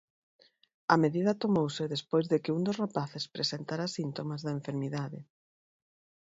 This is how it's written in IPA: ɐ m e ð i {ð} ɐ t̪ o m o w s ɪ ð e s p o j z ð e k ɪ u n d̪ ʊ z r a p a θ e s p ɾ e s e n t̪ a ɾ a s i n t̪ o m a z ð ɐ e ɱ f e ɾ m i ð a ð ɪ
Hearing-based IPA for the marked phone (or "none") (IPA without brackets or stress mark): ð